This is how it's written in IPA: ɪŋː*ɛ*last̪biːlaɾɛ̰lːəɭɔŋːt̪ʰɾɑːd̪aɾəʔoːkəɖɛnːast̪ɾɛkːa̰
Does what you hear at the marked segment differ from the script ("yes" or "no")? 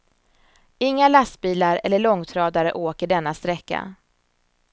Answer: yes